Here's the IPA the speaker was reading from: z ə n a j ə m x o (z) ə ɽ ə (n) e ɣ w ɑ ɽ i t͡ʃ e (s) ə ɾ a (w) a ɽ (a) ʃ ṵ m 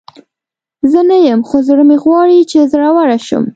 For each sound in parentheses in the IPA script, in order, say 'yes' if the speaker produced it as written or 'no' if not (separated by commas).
yes, no, no, yes, yes